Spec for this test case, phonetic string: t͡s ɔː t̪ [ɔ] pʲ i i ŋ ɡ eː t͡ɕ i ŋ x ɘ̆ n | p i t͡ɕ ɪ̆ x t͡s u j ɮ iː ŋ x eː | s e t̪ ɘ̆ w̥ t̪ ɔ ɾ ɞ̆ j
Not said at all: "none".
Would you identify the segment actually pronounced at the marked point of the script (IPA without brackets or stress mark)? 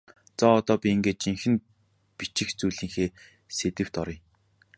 ɔː